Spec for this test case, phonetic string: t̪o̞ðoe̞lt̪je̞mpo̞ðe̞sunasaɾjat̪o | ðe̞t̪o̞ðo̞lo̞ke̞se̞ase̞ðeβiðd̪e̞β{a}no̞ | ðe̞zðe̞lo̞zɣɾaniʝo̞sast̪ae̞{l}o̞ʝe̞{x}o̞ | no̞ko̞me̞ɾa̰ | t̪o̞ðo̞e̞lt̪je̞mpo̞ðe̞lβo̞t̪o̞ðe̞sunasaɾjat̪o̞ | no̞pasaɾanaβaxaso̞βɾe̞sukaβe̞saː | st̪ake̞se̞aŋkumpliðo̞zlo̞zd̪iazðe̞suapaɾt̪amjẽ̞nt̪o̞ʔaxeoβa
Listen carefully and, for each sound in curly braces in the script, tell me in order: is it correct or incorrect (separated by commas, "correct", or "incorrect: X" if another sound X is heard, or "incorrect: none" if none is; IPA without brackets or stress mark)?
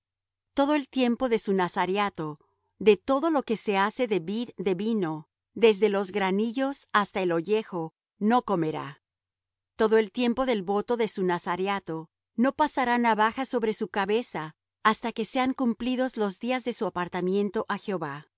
incorrect: i, correct, correct